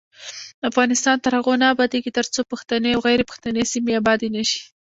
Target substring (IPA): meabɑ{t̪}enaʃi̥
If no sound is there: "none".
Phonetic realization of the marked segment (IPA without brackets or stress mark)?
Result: d̪